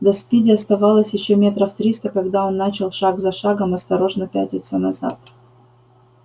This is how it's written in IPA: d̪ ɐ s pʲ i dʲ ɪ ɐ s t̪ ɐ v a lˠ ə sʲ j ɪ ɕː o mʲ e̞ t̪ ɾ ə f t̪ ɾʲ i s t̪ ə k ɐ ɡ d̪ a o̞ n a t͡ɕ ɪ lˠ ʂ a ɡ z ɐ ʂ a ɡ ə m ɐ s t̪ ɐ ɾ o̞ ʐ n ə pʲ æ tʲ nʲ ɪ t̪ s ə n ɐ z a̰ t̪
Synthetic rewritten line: d̪ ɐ s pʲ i dʲ ɪ ɐ s t̪ ɐ v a lˠ ə sʲ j ɪ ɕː o mʲ e̞ t̪ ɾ ə f t̪ ɾʲ i s t̪ ə k ɐ ɡ d̪ a o̞ nː a t͡ɕ ɪ lˠ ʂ a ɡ z ɐ ʂ a ɡ ə m ɐ s t̪ ɐ ɾ o̞ ʐ n ə pʲ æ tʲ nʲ ɪ t̪ s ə n ɐ z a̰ t̪